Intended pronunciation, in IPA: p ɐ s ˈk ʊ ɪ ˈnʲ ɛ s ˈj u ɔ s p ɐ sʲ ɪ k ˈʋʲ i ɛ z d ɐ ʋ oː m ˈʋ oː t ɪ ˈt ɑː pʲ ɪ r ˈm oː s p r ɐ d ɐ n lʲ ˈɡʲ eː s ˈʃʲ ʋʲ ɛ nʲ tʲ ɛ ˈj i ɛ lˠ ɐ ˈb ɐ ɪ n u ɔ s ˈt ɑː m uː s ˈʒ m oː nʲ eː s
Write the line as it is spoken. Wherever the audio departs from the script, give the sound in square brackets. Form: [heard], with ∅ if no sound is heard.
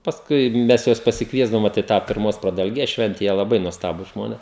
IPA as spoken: p ɐ s ˈk ʊ ɪ [ˈmʲ] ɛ s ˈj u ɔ s p ɐ sʲ ɪ k ˈʋʲ i ɛ z d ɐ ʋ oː m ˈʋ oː t ɪ ˈt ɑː pʲ ɪ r ˈm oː s p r ɐ d ɐ [∅] lʲ ˈɡʲ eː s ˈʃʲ ʋʲ ɛ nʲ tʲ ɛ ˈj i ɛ lˠ ɐ ˈb ɐ ɪ n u ɔ s ˈt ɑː [b] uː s ˈʒ m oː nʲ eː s